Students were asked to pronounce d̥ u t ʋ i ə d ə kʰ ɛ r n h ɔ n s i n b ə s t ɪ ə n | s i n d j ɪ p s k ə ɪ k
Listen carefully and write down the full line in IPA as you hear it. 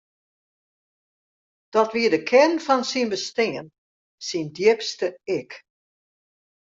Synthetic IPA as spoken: d̥ ɔ t ʋ i ə d ə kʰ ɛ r n f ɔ n s i n b ə s t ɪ ə n | s i n d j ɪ p s t ə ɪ k

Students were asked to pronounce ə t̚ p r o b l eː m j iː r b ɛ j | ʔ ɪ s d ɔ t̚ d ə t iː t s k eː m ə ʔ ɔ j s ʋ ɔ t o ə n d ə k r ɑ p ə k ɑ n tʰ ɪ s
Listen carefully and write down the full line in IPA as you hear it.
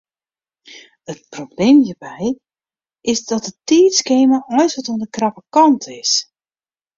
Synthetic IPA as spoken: ə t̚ p r o b l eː m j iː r b ɛ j | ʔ ɪ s d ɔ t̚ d ə t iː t s k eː m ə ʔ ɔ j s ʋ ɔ t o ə n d ə k r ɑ p ə k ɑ n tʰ ɪ s

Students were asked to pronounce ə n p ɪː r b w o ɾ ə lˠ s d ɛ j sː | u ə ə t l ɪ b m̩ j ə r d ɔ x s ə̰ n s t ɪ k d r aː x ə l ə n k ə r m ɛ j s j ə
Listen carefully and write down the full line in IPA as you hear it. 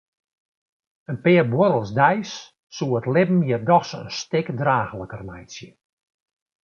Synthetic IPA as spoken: ə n p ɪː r b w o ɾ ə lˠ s d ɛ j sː | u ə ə t l ɪ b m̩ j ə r d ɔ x s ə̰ n s t ɪ k d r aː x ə l ə k ə r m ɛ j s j ə

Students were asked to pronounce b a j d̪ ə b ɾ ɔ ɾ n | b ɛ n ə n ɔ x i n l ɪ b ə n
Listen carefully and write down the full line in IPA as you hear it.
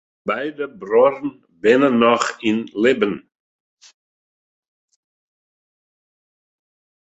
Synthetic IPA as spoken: b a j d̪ ə b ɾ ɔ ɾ n | b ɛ n ə n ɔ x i n l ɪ b ə n

